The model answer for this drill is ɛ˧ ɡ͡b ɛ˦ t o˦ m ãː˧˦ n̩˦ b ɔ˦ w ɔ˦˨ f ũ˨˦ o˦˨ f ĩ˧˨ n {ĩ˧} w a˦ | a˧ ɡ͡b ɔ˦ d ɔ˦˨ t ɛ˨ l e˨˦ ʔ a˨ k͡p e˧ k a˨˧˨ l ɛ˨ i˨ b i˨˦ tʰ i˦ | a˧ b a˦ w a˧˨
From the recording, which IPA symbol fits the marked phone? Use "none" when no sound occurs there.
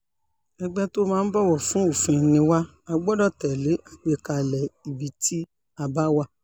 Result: ĩ˧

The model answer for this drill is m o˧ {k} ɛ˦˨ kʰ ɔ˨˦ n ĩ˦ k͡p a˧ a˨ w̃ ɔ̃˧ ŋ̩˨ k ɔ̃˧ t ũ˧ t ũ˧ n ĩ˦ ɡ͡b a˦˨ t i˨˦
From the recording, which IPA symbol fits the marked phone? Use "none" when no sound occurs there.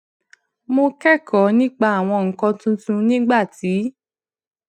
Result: k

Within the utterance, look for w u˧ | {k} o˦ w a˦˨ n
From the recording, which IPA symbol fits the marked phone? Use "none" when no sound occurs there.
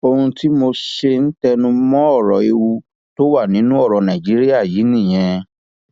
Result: t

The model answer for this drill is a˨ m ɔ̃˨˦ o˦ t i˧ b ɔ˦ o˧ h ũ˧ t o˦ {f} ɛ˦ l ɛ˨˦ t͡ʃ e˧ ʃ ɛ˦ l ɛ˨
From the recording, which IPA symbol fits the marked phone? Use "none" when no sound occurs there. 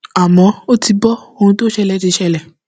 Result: ʃ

